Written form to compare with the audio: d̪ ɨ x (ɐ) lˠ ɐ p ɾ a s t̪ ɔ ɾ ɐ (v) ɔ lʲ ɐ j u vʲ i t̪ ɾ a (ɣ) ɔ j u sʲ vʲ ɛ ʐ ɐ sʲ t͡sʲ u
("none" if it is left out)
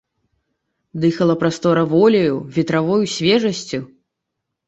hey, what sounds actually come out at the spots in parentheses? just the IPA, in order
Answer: ɐ, v, v

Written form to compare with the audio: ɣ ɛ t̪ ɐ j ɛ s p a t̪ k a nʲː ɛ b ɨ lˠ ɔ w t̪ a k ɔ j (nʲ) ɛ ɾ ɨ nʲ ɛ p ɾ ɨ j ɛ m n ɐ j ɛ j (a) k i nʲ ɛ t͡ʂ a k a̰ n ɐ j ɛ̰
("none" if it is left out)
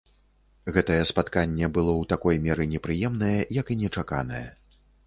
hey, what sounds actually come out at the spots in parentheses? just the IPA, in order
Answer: mʲ, ɐ

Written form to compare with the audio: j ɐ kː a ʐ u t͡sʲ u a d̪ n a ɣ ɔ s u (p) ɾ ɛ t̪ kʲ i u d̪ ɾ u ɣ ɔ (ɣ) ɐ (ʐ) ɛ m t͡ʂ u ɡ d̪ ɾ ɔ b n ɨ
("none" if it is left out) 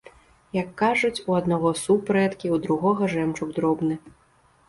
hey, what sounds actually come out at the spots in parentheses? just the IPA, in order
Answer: p, ɣ, ʐ

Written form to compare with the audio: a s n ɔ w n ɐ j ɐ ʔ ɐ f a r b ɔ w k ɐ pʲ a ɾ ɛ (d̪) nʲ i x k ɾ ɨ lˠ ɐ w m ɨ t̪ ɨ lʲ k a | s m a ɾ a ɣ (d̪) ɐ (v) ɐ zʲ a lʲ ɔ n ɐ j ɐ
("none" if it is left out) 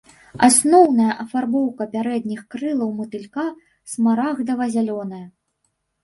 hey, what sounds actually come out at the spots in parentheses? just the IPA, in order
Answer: d̪, d̪, v

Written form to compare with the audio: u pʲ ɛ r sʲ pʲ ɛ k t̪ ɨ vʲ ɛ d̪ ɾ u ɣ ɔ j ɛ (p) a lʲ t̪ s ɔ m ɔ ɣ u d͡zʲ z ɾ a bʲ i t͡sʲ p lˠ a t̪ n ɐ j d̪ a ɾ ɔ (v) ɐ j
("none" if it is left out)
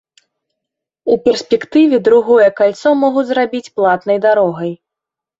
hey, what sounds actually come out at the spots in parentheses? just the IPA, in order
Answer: k, ɣ

